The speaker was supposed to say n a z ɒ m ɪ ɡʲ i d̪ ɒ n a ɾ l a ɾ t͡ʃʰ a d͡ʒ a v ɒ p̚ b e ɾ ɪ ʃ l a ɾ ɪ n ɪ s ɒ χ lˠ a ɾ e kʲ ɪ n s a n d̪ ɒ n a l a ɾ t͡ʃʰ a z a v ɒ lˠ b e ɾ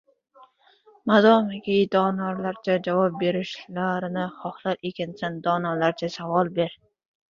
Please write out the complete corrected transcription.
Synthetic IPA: m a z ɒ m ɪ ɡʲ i d̪ ɒ n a ɾ l a ɾ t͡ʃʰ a d͡ʒ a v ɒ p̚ b e ɾ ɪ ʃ l a ɾ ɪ n ɪ χ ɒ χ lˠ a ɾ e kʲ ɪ n s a n d̪ ɒ n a l a ɾ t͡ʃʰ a s a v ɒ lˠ b e ɾ